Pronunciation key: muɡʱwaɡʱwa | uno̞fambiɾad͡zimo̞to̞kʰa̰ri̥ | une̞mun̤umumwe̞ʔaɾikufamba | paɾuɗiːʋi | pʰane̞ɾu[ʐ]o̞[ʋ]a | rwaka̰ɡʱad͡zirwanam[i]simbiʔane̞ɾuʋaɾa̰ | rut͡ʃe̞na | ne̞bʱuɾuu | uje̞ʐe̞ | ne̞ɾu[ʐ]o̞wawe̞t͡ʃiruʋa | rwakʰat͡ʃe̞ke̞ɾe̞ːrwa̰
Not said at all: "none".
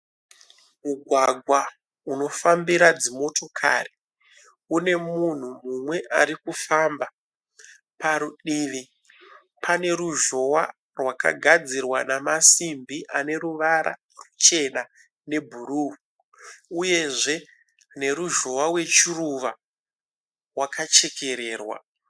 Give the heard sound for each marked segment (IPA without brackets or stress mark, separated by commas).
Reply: ʒ, w, a, ʒ